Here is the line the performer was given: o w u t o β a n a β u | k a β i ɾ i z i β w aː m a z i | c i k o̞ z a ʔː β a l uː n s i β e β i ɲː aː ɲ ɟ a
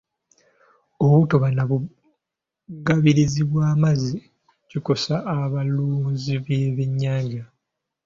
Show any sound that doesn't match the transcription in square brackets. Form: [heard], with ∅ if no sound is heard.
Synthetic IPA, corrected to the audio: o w u t o β a n a β u | [ɡ] a β i ɾ i z i β w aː m a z i | c i k o̞ [s] a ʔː β a l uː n [z] i β e β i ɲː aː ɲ ɟ a